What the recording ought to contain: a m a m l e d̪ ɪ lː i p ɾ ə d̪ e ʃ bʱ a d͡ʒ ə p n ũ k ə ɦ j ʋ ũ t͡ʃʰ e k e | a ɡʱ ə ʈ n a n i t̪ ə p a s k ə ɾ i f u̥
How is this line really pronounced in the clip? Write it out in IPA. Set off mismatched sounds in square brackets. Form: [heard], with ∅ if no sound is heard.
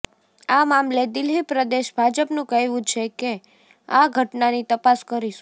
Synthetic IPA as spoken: a m a m l e d̪ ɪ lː i p ɾ ə d̪ e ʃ bʱ a d͡ʒ ə p n ũ k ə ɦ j ʋ ũ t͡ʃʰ e k e | a ɡʱ ə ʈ n a n i t̪ ə p a s k ə ɾ i [ʃ] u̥